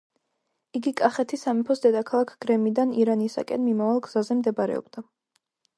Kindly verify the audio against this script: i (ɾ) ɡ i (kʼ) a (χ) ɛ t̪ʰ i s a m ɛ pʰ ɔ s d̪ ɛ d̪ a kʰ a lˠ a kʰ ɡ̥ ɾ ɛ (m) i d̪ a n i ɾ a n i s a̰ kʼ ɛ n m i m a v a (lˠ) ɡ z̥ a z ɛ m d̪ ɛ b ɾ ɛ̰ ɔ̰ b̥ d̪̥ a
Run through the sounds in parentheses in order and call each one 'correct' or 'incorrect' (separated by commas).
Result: incorrect, correct, correct, correct, correct